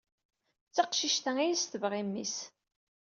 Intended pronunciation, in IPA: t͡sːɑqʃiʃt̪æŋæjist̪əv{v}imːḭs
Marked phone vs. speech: incorrect: ʁ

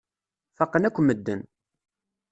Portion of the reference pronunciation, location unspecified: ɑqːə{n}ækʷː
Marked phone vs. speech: correct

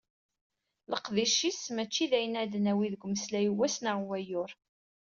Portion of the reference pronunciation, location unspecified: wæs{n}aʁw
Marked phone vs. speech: correct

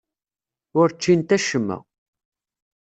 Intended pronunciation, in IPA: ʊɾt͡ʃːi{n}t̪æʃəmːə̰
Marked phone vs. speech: correct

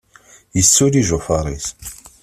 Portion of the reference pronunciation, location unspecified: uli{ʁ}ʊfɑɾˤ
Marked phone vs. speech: incorrect: ʒ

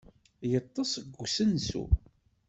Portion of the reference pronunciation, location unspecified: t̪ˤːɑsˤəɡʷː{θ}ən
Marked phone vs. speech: incorrect: s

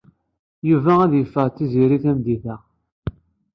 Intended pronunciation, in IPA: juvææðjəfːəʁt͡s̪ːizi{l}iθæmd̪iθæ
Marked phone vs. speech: incorrect: ɾ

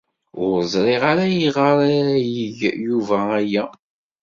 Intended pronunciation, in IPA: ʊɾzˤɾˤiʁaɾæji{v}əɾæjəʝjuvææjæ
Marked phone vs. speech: incorrect: ʁ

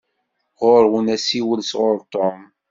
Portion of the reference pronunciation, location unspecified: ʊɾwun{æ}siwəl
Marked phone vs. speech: correct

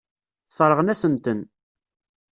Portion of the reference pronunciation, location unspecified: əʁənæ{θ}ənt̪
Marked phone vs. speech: incorrect: s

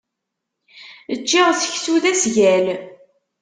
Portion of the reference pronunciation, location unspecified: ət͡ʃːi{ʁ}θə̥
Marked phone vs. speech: correct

